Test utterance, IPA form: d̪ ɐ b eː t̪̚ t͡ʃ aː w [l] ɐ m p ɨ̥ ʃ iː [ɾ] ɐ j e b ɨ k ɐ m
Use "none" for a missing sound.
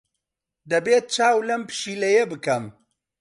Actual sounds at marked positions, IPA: l, l

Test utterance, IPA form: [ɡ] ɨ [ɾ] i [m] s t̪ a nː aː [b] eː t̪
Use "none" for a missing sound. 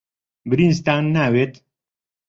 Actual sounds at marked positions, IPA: b, ɾ, n, w

